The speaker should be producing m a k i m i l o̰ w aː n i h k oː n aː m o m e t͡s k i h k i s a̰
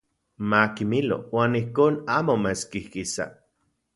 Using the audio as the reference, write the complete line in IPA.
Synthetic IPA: m a k i m i l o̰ w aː n i h k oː n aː m o m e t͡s k i h k i s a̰

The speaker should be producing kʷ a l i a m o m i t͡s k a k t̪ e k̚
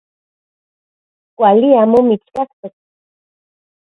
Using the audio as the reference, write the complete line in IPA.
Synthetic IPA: kʷ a l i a m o m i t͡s k a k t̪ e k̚

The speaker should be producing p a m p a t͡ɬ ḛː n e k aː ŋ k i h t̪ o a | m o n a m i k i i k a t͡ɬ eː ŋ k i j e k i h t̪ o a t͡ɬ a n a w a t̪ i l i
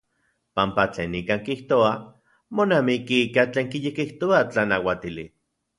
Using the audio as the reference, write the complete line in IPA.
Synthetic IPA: p a m p a t͡ɬ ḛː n i k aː ŋ k i h t̪ o a | m o n a m i k i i k a t͡ɬ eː ŋ k i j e k i h t̪ o a t͡ɬ a n a w a t̪ i l i

